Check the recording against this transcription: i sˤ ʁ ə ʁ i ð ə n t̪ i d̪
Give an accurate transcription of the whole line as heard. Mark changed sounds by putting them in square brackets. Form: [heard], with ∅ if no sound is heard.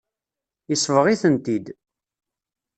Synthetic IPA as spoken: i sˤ [v] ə ʁ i [θ] ə n t̪ i d̪